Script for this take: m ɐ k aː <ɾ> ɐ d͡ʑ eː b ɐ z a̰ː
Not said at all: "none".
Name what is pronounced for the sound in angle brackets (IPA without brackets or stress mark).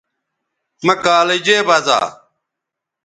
l